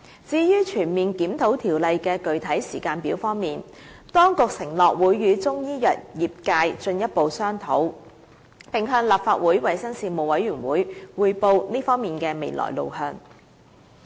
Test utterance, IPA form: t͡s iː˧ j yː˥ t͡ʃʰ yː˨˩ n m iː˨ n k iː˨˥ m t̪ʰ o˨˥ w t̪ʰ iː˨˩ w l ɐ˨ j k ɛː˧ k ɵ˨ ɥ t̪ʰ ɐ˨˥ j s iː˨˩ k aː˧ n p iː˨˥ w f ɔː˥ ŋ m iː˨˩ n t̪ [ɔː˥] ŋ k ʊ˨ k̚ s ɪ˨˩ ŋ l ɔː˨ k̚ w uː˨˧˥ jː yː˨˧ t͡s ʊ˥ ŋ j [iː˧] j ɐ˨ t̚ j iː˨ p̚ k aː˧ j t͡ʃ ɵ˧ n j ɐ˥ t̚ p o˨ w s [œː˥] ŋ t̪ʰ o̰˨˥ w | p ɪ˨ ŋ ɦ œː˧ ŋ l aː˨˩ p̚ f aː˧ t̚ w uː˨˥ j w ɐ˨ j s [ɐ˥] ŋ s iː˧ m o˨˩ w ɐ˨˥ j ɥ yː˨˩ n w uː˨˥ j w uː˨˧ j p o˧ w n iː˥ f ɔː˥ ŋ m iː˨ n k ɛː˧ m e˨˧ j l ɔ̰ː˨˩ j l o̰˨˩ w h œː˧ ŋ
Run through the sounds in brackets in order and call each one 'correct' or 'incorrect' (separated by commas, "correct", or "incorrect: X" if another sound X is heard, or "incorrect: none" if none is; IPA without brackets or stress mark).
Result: correct, incorrect: iː˥, correct, correct